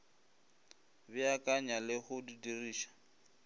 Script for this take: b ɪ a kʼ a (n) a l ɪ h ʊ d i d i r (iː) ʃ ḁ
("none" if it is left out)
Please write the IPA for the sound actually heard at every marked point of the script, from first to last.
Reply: ɲ, iː

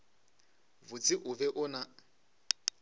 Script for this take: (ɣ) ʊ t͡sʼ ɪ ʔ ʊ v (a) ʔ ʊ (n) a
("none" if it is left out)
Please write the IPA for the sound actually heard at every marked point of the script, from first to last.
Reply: v, ɛ, n

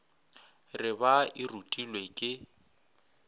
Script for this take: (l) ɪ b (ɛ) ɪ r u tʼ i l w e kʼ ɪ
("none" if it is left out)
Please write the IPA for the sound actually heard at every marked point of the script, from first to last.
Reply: r, a

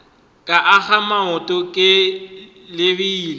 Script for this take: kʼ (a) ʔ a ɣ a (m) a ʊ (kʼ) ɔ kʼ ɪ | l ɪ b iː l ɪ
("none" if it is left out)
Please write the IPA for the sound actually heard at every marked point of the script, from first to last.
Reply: a, m, tʼ

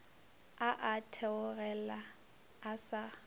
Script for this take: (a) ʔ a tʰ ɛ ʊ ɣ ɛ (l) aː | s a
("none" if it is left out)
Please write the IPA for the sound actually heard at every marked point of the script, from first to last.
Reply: a, l

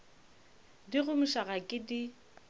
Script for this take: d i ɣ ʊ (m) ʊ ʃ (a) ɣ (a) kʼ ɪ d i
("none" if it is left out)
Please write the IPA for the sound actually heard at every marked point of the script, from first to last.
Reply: m, a, a

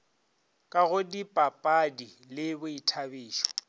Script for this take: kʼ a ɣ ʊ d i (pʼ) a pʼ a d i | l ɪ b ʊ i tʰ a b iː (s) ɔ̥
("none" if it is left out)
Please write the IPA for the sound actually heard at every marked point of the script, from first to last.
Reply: pʼ, ʃ

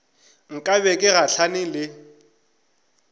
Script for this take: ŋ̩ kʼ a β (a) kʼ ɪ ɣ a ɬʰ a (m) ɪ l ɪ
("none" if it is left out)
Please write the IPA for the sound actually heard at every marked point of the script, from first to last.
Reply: ɛ, n

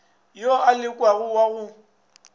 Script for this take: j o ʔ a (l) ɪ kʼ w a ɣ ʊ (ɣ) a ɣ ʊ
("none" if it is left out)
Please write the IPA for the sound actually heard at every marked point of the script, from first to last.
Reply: l, w

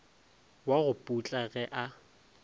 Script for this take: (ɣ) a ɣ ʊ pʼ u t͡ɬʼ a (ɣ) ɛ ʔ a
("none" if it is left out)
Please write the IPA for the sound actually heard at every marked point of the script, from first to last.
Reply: w, ɣ

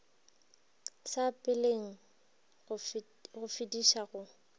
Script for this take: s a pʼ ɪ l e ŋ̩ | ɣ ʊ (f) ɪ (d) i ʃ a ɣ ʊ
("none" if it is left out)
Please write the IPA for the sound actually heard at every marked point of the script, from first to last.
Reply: f, d

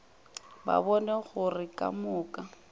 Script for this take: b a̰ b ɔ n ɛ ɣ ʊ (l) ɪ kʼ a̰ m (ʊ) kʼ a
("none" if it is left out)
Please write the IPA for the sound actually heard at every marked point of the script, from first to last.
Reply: r, ʊː

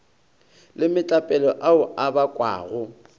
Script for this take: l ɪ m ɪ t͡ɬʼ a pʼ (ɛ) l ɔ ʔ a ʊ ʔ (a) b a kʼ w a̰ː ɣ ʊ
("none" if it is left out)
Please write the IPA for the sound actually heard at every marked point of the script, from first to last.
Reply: ɛ, a

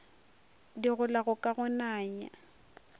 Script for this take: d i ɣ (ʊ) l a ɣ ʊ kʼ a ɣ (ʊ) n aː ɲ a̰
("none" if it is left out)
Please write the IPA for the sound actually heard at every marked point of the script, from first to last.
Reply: ʊ, ʊ

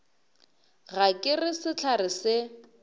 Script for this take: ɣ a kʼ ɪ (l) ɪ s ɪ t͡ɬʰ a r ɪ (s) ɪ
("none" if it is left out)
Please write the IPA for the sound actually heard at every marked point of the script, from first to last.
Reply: r, s

